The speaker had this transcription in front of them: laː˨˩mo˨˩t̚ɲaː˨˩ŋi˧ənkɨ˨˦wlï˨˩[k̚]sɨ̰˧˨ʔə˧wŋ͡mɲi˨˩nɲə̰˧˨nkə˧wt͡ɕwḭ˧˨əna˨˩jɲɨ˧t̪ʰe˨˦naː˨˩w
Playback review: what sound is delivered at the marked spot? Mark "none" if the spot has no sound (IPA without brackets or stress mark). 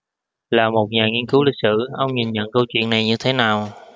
k̚